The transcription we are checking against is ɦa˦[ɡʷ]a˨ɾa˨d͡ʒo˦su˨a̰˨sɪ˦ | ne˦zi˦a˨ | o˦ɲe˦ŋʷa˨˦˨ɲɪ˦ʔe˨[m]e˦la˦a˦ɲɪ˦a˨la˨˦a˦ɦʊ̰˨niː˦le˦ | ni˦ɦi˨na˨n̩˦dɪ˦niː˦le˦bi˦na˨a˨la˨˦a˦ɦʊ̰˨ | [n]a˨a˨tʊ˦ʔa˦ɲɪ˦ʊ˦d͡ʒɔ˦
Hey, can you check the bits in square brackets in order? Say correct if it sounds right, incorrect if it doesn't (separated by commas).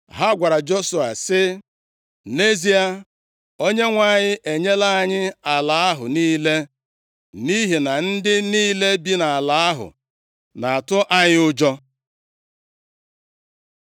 correct, incorrect, correct